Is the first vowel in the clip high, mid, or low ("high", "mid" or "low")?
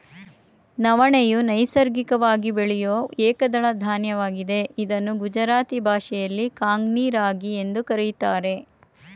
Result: low